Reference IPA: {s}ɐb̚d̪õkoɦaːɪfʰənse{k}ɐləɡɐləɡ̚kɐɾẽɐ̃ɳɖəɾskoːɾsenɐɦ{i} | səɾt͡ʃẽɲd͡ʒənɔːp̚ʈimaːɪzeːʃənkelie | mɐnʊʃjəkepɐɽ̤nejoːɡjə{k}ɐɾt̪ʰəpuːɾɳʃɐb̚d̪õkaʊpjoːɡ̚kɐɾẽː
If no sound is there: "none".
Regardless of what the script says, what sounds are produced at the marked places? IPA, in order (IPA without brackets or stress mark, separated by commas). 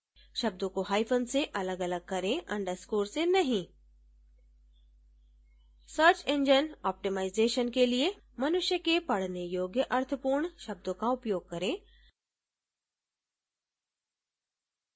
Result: ʃ, ʔ, ĩ, ʔ